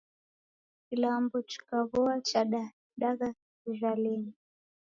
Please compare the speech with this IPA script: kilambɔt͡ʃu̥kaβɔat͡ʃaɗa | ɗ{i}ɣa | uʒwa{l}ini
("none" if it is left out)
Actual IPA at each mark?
a, l

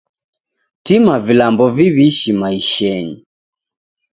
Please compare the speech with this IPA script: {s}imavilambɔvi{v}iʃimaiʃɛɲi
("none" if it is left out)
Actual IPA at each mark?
t, β

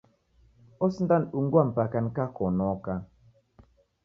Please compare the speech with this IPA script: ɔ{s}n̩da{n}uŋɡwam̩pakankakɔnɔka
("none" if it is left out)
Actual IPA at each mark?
s, n

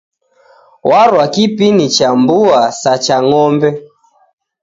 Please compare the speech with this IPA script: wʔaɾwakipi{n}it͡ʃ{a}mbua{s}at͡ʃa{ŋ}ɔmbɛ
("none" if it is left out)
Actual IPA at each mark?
n, a, s, ŋ

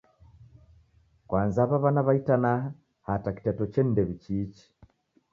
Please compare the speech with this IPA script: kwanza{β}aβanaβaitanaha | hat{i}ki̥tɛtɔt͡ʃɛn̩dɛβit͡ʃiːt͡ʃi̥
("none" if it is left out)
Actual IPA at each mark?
β, a

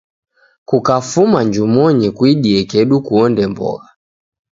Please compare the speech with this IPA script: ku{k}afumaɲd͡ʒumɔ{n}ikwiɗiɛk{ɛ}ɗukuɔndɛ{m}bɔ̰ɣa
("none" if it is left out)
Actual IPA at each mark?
k, ɲ, ɛ, m

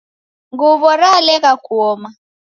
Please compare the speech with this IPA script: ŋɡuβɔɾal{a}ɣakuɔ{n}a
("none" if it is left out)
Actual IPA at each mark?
ɛ, m

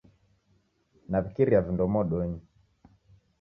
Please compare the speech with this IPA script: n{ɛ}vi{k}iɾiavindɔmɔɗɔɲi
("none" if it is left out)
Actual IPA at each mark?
a, k

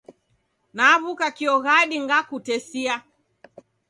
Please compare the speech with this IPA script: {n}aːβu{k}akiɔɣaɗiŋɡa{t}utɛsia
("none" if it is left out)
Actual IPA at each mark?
n, k, k

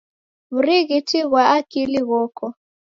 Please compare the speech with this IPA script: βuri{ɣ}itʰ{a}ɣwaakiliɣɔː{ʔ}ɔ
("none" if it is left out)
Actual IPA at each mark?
ɣ, i, k

